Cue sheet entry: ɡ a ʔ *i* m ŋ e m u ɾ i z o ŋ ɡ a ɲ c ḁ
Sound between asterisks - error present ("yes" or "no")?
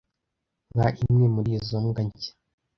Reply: no